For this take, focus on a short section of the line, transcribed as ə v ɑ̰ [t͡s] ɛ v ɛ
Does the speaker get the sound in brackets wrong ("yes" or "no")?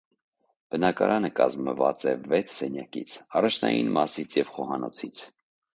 no